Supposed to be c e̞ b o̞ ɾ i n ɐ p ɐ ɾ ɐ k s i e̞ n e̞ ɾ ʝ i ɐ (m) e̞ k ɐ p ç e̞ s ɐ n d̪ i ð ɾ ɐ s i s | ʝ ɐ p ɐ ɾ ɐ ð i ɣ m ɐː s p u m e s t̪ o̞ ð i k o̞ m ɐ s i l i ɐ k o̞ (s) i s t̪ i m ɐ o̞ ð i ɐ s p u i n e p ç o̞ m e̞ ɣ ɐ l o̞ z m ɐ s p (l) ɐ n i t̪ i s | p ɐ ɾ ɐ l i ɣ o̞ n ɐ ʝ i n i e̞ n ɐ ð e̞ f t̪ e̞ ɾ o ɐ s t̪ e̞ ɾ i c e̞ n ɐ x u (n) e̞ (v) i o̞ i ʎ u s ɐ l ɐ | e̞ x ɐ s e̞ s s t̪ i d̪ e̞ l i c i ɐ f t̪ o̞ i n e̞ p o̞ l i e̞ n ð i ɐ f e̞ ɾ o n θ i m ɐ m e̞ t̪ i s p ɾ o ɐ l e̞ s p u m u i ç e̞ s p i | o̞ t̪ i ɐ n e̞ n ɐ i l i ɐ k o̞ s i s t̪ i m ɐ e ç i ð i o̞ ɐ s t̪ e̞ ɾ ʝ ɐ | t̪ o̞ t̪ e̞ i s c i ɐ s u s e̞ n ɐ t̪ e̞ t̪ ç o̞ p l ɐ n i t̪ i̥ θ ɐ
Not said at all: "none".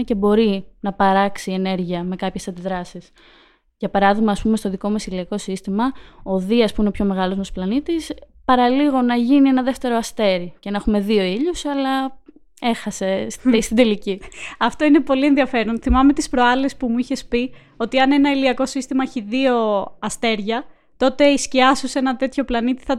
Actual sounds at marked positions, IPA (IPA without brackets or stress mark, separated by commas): m, s, l, m, ð